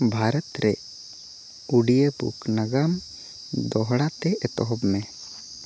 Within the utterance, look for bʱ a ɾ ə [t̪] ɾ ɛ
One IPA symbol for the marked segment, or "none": t̪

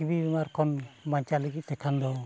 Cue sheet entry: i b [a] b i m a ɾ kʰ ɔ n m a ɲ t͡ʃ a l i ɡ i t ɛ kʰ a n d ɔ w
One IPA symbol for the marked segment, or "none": i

